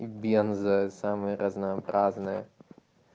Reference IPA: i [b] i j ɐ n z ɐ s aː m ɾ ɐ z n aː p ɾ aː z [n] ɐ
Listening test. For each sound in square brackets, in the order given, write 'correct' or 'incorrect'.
correct, correct

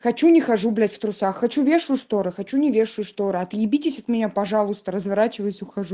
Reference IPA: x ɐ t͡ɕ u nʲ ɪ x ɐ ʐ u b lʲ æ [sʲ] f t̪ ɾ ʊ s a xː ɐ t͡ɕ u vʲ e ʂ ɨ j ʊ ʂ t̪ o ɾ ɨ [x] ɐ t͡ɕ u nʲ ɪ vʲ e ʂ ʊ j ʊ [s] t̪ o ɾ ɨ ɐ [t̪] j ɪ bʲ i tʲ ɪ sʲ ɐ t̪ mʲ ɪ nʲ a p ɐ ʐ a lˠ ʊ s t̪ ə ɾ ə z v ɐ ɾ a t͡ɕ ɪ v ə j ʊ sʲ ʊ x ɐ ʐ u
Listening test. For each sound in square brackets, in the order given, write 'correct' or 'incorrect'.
incorrect, correct, incorrect, correct

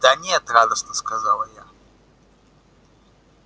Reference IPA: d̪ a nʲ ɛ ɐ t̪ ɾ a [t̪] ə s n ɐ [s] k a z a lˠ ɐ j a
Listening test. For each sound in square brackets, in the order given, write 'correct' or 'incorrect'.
incorrect, correct

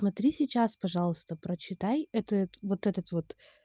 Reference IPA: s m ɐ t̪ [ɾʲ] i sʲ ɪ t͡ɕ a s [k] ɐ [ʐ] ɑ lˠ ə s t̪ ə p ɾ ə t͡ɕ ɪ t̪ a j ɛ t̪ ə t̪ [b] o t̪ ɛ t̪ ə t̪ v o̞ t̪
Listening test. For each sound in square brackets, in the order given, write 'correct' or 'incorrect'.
correct, incorrect, correct, incorrect

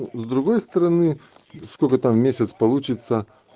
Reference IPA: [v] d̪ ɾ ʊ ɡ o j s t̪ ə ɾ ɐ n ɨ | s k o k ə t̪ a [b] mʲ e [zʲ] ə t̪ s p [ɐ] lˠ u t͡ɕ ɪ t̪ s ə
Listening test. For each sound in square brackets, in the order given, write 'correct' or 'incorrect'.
incorrect, incorrect, incorrect, correct

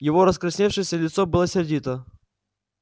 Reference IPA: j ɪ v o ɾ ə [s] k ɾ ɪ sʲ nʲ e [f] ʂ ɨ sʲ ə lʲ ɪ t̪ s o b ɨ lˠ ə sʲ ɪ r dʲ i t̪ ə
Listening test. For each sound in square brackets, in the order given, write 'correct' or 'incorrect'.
correct, correct

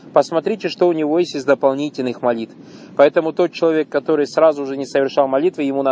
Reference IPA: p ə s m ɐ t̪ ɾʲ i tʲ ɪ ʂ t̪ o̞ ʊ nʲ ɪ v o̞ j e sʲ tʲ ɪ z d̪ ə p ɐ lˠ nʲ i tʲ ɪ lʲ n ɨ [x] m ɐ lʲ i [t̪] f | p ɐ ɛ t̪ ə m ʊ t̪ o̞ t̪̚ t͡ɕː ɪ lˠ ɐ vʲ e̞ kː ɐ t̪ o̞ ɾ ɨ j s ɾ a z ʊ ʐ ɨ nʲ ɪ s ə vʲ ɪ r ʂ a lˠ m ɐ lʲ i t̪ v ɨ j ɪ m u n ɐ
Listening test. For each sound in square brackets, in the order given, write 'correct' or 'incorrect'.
correct, correct

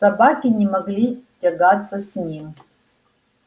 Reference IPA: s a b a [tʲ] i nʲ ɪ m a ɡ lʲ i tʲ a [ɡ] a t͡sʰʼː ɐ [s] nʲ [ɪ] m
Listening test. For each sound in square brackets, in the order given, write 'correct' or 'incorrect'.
incorrect, correct, correct, incorrect

